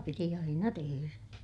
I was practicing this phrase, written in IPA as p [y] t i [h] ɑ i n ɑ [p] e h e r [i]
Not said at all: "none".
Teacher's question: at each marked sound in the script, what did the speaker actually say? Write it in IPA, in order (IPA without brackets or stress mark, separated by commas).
i, none, t, æ